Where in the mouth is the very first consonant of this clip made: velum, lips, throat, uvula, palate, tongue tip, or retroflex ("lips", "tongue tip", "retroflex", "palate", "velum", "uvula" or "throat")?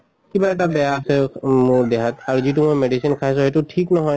velum